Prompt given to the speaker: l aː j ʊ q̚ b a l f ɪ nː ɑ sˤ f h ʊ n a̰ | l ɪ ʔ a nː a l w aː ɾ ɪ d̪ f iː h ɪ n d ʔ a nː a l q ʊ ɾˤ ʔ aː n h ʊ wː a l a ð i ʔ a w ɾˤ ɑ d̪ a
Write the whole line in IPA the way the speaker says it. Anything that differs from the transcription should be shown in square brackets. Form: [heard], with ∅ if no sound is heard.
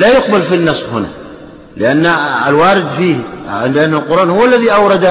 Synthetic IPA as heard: l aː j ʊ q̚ b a l f [i] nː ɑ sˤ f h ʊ n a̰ | l ɪ ʔ a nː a l w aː ɾ ɪ d̪ f iː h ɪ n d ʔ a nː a l q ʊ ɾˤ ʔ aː n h ʊ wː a [lː] a ð i ʔ a w ɾˤ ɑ d̪ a